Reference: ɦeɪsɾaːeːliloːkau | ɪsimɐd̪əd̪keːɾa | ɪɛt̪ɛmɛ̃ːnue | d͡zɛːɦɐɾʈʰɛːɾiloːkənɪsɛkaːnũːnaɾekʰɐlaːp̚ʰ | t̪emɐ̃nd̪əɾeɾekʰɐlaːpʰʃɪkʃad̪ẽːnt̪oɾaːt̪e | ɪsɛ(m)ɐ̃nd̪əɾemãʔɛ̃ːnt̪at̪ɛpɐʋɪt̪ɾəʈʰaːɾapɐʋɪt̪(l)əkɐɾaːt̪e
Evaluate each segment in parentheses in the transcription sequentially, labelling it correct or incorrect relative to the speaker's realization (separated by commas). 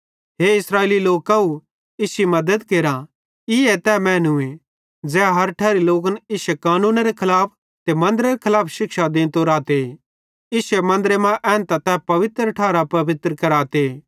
correct, incorrect